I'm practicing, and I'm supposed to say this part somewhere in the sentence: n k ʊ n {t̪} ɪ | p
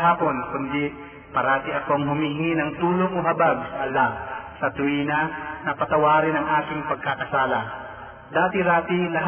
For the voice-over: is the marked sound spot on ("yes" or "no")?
no